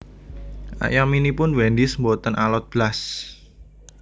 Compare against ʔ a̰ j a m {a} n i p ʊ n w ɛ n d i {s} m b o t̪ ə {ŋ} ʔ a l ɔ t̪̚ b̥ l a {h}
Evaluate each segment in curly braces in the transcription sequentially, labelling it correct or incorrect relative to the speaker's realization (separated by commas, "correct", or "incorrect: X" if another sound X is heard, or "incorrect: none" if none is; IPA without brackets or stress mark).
incorrect: i, correct, incorrect: n, incorrect: s